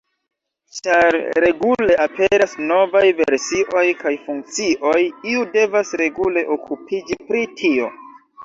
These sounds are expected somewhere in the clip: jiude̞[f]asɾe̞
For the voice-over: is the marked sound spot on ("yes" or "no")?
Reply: no